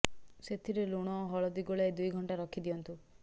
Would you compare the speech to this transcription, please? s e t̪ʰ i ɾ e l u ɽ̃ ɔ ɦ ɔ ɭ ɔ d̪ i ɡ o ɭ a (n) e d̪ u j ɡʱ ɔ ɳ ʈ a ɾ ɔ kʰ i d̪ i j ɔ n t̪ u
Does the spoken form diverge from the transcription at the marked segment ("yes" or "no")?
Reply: yes